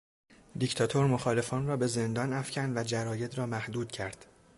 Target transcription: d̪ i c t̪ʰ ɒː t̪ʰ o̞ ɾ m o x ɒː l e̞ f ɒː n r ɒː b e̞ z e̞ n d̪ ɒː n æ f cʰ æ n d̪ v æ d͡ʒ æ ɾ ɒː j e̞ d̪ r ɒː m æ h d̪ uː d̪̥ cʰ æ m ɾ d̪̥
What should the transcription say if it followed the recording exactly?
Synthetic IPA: d̪ i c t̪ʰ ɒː t̪ʰ o̞ ɾ m o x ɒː l e̞ f ɒː n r ɒː b e̞ z e̞ n d̪ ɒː n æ f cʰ æ n d̪ v æ d͡ʒ æ ɾ ɒː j e̞ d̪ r ɒː m æ h d̪ uː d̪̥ cʰ æ ɾ d̪̥